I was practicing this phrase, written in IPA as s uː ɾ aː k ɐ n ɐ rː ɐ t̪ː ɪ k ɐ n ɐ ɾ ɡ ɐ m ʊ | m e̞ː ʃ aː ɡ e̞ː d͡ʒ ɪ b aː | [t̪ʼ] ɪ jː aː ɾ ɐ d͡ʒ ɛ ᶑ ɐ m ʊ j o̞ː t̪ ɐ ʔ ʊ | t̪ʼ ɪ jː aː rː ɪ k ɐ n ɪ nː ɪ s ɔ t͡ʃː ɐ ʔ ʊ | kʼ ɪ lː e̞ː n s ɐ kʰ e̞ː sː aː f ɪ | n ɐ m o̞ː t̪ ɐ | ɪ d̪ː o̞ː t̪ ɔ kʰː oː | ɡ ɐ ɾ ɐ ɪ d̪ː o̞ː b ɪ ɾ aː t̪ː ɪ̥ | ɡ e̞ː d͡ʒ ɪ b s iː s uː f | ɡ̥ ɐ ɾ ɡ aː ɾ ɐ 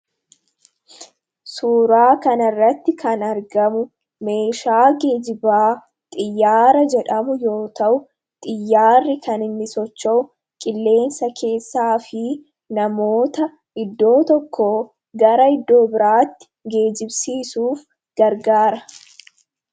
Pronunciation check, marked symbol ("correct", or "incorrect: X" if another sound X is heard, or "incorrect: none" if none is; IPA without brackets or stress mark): correct